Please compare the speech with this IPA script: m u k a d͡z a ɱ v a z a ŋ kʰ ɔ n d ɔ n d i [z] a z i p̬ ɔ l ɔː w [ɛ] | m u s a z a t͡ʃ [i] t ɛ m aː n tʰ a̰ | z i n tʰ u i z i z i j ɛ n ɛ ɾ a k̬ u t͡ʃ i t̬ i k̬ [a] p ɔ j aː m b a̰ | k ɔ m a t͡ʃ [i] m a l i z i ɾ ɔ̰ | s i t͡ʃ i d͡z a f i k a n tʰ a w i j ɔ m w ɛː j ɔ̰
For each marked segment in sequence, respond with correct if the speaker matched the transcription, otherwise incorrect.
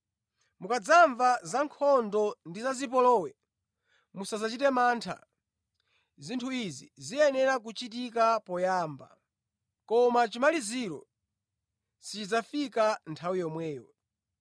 correct, correct, correct, correct, correct

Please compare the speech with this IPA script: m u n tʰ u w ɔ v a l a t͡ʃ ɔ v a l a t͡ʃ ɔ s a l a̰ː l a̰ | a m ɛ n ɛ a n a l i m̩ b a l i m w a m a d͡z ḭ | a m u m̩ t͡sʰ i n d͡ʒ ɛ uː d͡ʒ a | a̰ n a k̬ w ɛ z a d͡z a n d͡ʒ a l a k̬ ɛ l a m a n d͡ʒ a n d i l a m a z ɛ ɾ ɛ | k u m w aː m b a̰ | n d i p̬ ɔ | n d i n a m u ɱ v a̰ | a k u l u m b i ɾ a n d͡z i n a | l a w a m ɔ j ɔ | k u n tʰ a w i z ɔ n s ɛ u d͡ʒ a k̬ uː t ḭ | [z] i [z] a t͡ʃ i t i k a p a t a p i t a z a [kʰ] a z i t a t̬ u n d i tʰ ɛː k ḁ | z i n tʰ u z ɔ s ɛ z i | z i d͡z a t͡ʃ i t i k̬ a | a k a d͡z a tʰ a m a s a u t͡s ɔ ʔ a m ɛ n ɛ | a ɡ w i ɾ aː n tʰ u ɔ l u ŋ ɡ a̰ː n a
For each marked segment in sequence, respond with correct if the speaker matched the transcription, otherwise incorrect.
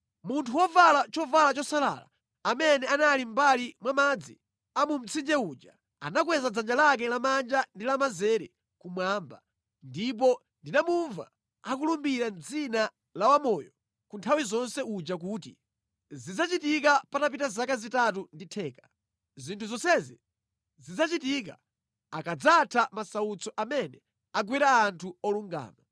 correct, incorrect, incorrect

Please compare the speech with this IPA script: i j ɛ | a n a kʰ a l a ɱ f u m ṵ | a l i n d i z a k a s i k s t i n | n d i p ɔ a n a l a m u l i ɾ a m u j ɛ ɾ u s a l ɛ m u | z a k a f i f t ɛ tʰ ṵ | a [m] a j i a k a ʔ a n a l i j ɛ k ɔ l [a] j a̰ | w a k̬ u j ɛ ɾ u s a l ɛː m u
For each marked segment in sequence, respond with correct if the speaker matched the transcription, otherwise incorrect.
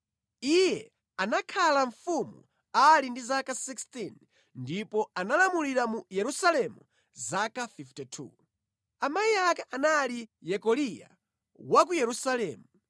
correct, incorrect

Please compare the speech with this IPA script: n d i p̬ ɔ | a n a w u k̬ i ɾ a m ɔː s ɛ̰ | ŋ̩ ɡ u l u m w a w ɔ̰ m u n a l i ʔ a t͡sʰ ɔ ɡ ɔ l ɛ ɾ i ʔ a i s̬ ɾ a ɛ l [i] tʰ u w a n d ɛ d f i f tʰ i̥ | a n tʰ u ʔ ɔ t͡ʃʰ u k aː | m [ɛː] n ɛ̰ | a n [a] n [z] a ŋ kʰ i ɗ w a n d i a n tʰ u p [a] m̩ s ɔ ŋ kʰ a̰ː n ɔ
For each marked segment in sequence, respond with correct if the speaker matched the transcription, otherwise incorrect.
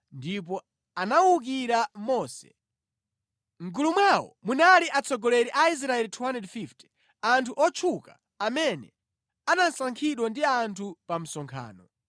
correct, incorrect, correct, incorrect, correct

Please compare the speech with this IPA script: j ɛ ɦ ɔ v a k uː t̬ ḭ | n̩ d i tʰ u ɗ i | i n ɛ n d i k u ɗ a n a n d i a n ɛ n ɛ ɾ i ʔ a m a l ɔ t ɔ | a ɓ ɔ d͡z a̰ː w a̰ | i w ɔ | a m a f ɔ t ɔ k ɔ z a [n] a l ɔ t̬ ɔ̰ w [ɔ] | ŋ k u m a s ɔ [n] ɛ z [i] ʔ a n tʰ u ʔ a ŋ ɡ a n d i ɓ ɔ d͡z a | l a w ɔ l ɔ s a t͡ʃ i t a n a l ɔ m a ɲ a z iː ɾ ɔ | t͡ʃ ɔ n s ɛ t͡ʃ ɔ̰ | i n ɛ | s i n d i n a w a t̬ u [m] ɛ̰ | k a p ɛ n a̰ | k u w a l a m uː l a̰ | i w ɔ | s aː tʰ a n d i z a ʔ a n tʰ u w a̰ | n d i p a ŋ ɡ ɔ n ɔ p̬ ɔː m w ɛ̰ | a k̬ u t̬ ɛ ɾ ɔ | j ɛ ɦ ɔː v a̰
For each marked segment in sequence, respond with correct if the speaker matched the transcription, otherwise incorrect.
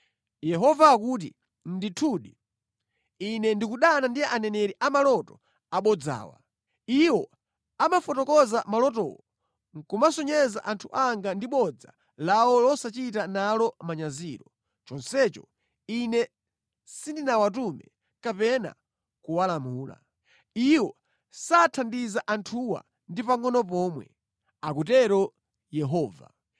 incorrect, correct, incorrect, incorrect, correct

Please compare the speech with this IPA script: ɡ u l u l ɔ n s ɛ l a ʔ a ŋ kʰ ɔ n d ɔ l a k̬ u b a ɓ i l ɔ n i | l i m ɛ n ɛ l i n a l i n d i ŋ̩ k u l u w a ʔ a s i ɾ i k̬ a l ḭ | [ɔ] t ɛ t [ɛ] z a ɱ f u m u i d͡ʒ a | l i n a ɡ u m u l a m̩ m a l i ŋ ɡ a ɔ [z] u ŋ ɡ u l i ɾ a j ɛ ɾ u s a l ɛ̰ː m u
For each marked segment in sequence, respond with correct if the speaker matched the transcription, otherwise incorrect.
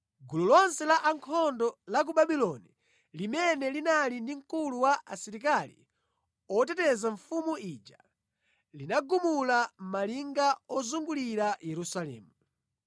correct, correct, correct

